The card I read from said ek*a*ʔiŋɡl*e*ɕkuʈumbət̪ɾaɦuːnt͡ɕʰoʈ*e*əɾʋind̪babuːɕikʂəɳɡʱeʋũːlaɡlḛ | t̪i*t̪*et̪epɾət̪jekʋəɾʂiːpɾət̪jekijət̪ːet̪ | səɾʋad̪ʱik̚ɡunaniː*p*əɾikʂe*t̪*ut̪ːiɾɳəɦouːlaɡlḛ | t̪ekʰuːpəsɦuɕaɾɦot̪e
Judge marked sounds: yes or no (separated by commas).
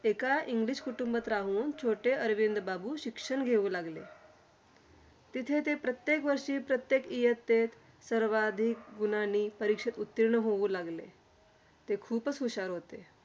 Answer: yes, no, yes, no, yes, yes